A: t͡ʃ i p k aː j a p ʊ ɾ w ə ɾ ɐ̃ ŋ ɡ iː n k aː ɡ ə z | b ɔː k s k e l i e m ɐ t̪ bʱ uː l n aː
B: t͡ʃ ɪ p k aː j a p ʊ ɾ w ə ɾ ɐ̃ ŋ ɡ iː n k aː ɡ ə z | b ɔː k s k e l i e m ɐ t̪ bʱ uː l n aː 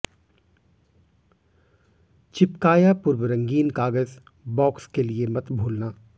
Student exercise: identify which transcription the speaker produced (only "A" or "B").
B